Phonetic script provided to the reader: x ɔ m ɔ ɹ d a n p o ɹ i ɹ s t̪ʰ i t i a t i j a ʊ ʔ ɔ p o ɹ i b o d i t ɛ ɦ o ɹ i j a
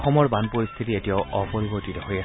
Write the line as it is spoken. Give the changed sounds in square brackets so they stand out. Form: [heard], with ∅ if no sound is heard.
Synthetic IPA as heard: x ɔ m ɔ ɹ [b] a n p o ɹ i [∅] s t̪ʰ i t i [e] t i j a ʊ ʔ ɔ p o ɹ i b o [t] i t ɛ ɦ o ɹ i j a